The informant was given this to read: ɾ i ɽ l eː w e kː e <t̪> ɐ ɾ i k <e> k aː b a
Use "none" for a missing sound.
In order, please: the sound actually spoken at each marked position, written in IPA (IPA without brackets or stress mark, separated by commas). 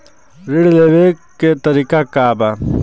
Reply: t̪, a